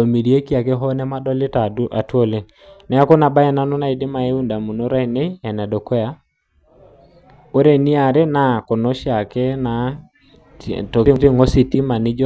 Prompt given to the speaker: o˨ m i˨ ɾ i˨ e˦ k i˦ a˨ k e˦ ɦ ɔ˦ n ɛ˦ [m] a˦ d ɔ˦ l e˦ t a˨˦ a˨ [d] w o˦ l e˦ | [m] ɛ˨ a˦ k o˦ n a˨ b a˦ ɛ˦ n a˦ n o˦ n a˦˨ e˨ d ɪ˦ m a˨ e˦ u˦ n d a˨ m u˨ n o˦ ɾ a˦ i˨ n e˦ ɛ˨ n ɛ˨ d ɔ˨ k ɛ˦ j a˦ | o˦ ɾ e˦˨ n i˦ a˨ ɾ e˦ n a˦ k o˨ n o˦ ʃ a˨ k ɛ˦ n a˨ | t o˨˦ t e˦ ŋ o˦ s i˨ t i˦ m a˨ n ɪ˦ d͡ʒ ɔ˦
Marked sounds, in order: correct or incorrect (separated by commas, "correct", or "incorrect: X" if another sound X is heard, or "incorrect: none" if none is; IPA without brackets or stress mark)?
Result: correct, incorrect: t, incorrect: n